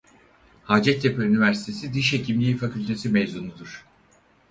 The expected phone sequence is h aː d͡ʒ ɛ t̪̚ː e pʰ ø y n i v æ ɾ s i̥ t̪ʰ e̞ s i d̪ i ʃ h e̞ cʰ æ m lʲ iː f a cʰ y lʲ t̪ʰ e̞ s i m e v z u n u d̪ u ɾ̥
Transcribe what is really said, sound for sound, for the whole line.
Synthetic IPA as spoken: h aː d͡ʒ ɛ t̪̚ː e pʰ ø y n i v æ ɾ s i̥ t̪ʰ e̞ s i d̪ i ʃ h e̞ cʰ i m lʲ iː f a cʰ y lʲ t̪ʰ e̞ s i m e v z u n u d̪ u ɾ̥